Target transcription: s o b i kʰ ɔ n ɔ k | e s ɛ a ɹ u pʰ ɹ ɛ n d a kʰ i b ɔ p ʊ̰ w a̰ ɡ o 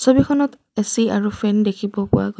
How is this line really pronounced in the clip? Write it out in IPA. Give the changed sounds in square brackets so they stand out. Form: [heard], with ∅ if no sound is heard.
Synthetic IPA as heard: s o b i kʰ ɔ n ɔ [t] | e s [i] a ɹ u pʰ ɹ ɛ n d [e] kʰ i b ɔ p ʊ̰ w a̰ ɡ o